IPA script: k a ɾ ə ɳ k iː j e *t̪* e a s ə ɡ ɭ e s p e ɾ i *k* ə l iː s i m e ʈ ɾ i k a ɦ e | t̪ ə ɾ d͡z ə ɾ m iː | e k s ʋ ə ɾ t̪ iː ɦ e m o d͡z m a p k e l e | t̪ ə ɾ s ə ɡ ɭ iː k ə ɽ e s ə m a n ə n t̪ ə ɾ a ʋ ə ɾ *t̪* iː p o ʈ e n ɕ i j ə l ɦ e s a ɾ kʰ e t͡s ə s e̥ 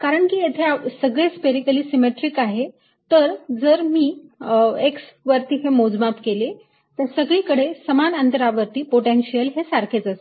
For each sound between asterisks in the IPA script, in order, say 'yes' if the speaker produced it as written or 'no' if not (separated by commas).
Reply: no, yes, yes